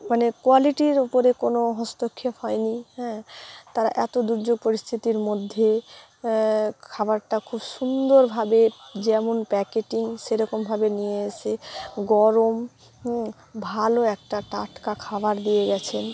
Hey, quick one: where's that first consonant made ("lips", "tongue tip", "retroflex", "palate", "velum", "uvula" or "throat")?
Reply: lips